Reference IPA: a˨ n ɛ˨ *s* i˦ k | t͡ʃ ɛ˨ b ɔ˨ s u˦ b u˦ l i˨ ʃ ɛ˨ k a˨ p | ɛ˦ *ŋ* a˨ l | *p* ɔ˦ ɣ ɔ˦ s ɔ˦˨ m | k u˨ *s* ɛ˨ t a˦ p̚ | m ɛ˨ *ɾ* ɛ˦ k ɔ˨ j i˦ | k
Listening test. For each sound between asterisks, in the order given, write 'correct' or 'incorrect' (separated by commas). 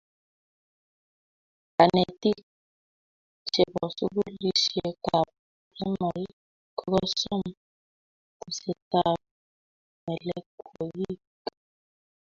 incorrect, incorrect, incorrect, correct, incorrect